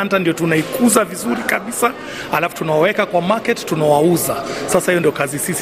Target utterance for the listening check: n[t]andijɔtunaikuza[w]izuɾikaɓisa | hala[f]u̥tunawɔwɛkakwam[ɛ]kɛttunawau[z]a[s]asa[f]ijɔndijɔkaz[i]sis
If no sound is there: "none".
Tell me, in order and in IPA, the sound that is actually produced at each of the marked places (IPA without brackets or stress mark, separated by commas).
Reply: t, v, f, a, z, s, h, i